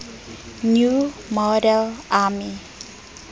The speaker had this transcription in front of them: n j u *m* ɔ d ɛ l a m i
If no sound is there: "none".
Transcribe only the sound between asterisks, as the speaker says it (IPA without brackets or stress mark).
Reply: m